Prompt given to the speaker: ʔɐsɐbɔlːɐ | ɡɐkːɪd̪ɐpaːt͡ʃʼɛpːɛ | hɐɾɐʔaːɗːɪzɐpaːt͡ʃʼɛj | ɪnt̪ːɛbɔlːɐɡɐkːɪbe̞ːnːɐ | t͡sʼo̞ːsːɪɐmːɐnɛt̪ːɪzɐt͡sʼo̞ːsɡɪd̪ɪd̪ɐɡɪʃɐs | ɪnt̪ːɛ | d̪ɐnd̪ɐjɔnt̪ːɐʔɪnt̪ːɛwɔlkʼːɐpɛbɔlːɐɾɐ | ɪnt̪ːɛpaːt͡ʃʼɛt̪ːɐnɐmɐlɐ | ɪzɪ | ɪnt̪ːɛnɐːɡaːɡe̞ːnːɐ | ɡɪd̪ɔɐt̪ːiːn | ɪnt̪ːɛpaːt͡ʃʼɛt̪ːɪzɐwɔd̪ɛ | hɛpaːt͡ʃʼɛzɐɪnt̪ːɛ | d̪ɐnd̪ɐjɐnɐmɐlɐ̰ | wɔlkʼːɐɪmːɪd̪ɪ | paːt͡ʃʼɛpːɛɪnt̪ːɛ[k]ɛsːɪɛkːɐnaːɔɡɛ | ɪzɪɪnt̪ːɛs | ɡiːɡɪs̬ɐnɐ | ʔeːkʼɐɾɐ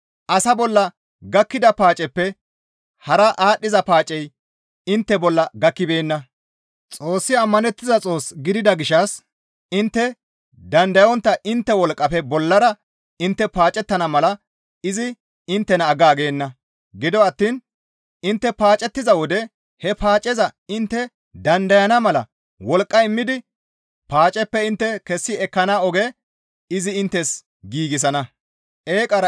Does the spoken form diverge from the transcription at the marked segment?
no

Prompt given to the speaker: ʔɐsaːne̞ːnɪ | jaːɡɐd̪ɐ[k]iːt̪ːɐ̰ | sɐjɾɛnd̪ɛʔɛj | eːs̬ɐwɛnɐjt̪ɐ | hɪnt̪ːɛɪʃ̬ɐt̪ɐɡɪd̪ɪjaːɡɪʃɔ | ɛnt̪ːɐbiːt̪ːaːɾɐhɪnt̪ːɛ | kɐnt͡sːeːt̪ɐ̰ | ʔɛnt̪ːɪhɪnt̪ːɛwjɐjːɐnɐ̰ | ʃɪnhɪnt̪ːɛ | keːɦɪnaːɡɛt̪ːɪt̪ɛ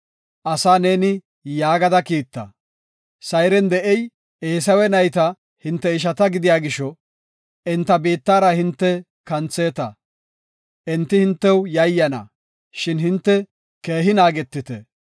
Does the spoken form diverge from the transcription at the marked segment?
no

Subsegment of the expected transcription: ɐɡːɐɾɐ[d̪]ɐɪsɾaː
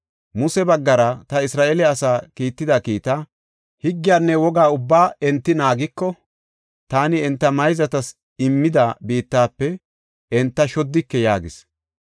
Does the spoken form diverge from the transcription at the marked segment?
yes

